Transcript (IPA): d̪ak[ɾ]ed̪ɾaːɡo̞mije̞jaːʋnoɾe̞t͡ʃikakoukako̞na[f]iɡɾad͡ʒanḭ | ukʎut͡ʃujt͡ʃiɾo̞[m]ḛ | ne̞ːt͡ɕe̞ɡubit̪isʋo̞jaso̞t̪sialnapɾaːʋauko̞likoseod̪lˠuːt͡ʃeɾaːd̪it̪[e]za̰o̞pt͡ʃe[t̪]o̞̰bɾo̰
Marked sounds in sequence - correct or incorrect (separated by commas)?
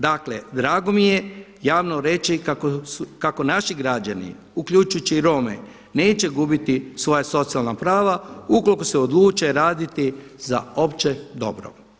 incorrect, incorrect, correct, incorrect, incorrect